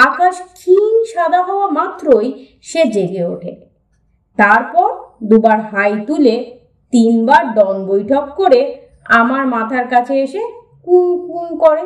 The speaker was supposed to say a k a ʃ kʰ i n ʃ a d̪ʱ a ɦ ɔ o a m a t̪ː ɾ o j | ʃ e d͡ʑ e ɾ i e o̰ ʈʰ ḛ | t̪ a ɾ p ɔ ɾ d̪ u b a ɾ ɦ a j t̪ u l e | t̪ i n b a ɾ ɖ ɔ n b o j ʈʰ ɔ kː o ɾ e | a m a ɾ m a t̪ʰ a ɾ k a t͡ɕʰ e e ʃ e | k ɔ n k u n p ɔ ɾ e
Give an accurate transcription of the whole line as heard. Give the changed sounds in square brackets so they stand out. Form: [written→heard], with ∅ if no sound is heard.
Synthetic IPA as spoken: a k a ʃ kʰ i n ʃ a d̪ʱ a ɦ ɔ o a m a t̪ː ɾ o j | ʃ e d͡ʑ e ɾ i e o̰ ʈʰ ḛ | t̪ a ɾ p ɔ ɾ d̪ u b a ɾ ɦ a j t̪ u l e | t̪ i n b a ɾ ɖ ɔ n b o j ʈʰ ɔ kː o ɾ e | a m a ɾ m a t̪ʰ a ɾ k a t͡ɕʰ e e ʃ e | k [ɔ→u] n k u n [p→k] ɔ ɾ e